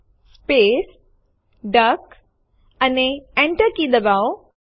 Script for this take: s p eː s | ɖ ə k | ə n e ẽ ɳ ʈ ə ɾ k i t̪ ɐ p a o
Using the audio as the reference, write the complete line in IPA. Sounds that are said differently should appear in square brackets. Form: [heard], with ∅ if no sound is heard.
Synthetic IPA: s p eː s | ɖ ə k | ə n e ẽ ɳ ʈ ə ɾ k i [d̪] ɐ [b] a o